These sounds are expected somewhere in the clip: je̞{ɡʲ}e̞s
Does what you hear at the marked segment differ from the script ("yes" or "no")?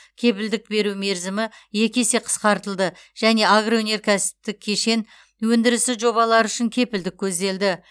yes